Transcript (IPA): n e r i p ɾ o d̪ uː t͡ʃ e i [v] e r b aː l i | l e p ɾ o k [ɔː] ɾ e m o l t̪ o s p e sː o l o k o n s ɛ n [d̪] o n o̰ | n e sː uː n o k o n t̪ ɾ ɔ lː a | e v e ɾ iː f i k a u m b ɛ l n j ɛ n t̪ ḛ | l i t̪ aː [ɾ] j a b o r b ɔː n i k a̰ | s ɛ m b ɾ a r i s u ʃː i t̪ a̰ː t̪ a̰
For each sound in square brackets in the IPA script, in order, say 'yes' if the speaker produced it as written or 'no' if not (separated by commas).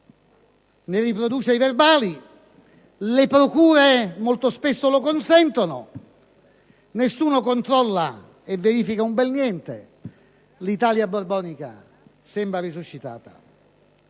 yes, no, no, no